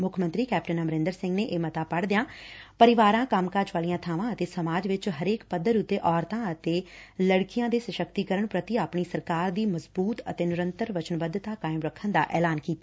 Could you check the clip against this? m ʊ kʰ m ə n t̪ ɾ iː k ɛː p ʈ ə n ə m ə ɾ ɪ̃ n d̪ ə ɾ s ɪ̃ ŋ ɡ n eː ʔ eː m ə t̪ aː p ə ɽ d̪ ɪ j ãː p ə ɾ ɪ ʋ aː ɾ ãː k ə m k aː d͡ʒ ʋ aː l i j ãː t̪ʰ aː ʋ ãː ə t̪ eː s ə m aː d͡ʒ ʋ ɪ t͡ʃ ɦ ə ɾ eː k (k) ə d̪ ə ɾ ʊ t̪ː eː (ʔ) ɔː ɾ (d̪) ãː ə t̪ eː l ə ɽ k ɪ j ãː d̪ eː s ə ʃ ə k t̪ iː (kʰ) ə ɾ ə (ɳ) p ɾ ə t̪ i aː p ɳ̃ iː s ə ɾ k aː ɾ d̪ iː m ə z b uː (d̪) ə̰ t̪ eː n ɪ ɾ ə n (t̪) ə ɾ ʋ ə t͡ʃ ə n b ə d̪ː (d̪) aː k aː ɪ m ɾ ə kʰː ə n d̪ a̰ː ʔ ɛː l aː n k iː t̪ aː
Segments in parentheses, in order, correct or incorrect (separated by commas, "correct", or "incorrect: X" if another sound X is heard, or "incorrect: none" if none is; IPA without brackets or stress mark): incorrect: p, correct, incorrect: t̪, incorrect: k, correct, incorrect: t̪, correct, incorrect: t̪